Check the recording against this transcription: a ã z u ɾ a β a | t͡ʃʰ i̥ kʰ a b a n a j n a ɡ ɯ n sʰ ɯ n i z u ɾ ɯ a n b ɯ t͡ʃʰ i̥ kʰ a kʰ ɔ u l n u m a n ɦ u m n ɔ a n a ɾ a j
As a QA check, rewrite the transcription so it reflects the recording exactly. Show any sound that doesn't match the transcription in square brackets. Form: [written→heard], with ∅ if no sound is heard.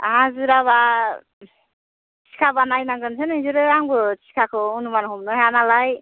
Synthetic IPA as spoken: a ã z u ɾ a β a | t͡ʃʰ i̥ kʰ a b a n a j n a ɡ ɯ n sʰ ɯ n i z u ɾ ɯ a [n→ŋ] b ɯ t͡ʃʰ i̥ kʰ a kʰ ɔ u [l→∅] n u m a n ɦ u m n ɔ a n a [ɾ→l] a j